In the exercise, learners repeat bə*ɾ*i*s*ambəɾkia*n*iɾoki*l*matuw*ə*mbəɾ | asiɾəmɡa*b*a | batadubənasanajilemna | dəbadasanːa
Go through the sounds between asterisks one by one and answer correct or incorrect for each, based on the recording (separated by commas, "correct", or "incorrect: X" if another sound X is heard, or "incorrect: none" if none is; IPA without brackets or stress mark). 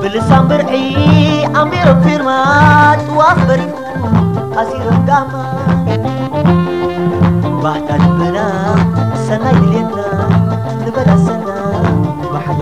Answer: incorrect: l, correct, incorrect: m, incorrect: ɾ, incorrect: a, incorrect: m